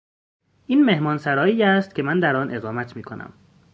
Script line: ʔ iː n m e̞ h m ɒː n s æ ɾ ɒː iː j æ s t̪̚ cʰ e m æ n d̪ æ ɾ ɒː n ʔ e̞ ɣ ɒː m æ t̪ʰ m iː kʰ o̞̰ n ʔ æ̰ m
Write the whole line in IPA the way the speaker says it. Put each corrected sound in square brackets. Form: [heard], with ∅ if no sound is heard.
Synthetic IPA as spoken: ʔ iː n m e̞ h m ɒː n s æ ɾ ɒː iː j æ s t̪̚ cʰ e m æ n d̪ æ ɾ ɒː n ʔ e̞ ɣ ɒː m æ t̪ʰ m iː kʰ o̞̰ n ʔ æ̰ m